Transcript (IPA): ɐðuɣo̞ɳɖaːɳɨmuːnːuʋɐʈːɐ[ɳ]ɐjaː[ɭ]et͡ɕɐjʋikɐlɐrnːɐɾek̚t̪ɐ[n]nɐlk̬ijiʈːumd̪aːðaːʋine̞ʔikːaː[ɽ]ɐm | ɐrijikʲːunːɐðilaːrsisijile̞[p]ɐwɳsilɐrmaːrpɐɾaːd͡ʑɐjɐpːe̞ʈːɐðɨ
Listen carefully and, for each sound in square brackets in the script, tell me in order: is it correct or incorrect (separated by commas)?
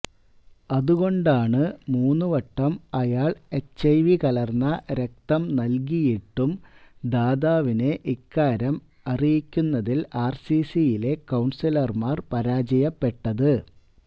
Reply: incorrect, correct, incorrect, incorrect, incorrect